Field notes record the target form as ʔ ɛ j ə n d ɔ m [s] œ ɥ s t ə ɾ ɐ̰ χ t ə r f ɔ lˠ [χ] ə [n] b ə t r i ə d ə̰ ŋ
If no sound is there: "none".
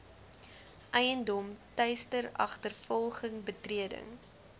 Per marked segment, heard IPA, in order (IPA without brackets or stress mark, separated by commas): t, χ, ŋ